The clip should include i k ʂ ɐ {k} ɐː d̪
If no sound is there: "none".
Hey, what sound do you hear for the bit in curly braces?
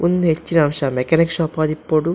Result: p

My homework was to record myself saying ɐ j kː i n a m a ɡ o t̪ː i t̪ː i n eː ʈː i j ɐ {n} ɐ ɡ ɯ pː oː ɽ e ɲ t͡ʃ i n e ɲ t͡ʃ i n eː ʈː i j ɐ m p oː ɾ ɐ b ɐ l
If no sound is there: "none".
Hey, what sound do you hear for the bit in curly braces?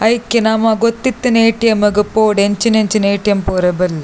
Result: m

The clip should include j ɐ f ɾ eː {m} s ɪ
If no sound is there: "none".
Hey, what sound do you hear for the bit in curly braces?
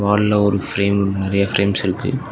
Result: m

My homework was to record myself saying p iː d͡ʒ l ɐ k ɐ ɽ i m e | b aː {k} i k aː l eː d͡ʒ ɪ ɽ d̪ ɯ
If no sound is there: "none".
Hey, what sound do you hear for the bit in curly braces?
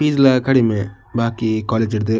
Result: k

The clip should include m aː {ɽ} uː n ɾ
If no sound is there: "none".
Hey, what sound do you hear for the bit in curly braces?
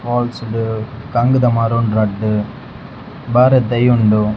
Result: ɾ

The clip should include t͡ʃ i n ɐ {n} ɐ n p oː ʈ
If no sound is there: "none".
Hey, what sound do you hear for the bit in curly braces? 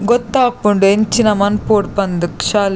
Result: m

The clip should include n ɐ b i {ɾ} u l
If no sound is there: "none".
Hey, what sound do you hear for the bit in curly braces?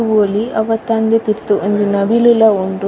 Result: l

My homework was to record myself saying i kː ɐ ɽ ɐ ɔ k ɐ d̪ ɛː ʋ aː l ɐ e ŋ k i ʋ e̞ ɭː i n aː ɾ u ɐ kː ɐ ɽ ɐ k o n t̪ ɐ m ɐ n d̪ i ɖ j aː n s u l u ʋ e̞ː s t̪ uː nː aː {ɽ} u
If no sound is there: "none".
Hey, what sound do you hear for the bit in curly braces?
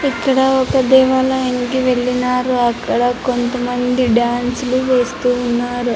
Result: ɾ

